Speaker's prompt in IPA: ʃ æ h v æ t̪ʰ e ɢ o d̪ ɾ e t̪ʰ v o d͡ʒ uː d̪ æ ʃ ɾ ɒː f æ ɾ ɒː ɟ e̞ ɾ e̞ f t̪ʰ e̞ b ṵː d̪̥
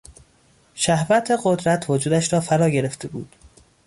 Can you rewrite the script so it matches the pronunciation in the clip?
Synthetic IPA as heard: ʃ æ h v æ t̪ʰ e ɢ o d̪ ɾ æ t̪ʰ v o d͡ʒ uː d̪ æ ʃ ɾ ɒː f æ ɾ ɒː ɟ e̞ ɾ e̞ f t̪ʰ e̞ b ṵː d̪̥